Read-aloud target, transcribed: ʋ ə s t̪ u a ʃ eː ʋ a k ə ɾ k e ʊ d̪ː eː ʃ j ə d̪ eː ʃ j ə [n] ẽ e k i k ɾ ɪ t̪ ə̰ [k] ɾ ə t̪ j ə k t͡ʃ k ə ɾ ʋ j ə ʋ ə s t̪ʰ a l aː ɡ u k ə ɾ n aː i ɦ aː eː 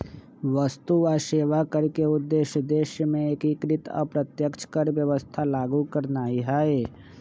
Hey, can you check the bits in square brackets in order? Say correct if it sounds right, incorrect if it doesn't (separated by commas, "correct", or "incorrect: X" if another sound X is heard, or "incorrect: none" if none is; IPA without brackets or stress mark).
incorrect: m, incorrect: p